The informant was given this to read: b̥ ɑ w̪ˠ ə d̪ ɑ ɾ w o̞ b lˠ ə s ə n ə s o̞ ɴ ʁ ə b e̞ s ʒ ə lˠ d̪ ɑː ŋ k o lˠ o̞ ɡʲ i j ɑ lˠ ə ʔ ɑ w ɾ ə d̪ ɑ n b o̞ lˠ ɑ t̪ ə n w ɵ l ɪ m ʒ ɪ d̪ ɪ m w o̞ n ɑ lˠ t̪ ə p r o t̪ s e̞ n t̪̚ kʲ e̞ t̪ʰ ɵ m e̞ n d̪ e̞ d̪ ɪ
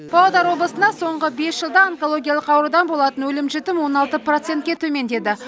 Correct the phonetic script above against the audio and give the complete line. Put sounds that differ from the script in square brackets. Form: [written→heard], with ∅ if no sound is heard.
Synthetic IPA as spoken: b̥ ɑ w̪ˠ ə d̪ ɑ ɾ w o̞ b lˠ ə s ə n [ə→ɑ] s o̞ ɴ ʁ ə b e̞ s ʒ ə lˠ d̪ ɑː ŋ k o lˠ o̞ ɡʲ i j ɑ lˠ ə [ʔ→q] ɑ w ɾ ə d̪ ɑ n b o̞ lˠ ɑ t̪ ə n w ɵ l ɪ m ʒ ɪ [d̪→t̪] ɪ m w o̞ n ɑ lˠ t̪ ə p r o t̪ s e̞ n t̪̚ kʲ e̞ t̪ʰ ɵ m e̞ n d̪ e̞ d̪ ɪ